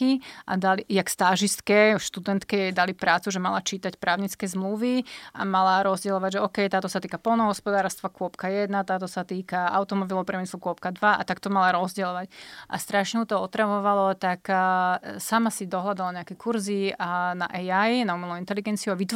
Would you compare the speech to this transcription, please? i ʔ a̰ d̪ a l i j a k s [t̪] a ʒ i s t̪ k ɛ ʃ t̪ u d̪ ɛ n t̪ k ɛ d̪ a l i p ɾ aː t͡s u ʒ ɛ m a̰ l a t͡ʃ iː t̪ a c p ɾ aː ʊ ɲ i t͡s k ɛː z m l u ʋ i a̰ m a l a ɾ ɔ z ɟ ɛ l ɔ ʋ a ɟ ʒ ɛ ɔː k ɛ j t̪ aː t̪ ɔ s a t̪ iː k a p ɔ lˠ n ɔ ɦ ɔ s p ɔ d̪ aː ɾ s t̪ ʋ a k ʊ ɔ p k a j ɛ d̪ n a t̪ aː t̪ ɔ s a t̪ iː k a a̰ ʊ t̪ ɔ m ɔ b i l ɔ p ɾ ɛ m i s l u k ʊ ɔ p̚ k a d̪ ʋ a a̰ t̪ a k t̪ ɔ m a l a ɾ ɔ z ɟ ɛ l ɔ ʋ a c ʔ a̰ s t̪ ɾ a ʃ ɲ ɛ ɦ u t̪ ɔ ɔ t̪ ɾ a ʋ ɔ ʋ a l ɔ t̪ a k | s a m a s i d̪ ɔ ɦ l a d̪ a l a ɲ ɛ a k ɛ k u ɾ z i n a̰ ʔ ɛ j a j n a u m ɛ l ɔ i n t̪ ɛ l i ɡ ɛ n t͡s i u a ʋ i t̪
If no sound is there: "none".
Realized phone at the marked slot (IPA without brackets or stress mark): t̪